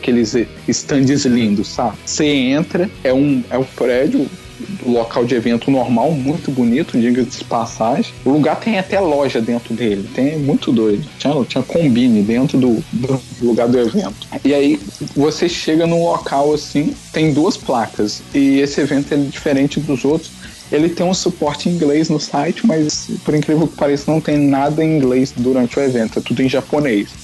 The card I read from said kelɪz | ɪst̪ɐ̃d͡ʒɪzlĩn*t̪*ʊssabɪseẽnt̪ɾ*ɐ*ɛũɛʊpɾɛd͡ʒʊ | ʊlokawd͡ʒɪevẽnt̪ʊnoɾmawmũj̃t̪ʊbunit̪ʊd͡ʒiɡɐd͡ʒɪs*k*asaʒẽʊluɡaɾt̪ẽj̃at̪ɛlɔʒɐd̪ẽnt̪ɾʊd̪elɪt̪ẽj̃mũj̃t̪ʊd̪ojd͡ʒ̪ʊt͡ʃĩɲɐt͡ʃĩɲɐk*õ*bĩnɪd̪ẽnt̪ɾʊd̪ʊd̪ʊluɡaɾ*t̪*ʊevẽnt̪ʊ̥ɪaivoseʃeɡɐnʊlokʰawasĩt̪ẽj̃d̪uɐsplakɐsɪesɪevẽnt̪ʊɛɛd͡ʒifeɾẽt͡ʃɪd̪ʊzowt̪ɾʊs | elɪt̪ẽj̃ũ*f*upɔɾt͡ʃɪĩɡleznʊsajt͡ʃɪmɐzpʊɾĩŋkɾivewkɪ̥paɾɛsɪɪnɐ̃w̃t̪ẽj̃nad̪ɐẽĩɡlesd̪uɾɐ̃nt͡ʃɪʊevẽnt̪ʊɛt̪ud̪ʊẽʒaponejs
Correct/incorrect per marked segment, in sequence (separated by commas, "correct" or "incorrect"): incorrect, correct, incorrect, correct, incorrect, incorrect